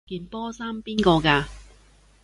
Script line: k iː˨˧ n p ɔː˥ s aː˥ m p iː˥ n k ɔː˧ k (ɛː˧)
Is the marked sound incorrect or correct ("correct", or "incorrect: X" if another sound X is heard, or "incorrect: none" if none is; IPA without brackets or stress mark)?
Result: incorrect: aː˧